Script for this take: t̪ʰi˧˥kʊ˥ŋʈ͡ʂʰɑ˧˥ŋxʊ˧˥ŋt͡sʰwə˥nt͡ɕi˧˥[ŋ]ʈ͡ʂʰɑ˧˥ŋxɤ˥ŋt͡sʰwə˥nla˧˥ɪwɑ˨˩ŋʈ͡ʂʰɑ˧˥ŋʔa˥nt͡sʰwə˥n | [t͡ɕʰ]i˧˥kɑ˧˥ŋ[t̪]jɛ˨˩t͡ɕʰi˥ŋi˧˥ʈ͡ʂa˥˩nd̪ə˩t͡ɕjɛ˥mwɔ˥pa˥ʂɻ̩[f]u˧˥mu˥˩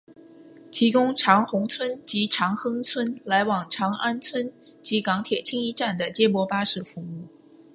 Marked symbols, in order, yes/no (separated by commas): no, no, no, yes